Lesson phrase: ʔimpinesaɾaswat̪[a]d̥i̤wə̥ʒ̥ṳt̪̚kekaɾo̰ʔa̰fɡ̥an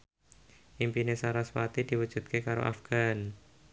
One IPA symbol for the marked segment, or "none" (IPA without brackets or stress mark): i